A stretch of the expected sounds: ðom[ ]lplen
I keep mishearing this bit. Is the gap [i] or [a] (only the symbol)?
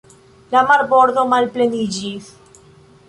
a